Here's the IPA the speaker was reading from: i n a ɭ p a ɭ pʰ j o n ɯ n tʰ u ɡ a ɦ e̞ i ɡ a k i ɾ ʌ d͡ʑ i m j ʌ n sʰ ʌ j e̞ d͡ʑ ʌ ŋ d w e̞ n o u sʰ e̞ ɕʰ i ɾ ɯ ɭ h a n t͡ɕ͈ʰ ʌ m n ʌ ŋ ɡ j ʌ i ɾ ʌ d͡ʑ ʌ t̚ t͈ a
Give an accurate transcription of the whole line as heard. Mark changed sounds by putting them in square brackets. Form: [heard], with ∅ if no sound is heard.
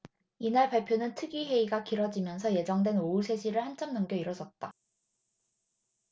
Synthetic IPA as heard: i n a ɭ p a ɭ pʰ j o n ɯ n tʰ [ɯ] ɡ [i] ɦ e̞ i ɡ a k i ɾ ʌ d͡ʑ i m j ʌ n sʰ ʌ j e̞ d͡ʑ ʌ ŋ d w e̞ n o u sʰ e̞ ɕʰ i ɾ ɯ ɭ h a n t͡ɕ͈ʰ ʌ m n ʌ ŋ ɡ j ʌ i ɾ ʌ d͡ʑ ʌ t̚ t͈ a